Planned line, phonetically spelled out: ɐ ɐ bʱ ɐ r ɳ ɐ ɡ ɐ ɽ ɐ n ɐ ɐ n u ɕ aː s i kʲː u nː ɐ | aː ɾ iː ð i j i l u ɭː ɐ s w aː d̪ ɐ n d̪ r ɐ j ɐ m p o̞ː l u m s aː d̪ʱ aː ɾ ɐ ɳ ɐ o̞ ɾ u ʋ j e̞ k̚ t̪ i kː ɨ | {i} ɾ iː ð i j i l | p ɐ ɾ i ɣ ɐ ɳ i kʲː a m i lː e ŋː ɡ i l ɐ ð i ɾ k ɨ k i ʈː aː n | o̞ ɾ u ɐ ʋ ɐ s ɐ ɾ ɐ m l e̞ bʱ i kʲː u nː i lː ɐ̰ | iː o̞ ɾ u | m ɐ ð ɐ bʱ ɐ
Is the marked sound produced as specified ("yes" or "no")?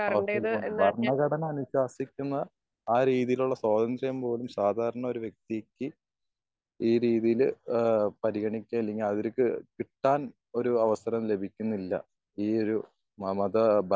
no